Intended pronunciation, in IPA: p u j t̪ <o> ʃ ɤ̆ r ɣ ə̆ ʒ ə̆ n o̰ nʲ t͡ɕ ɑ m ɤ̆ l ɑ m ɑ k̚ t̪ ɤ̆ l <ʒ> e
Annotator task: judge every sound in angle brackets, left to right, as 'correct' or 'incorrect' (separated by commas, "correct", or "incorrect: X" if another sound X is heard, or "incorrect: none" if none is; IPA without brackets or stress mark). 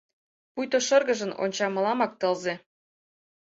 correct, incorrect: z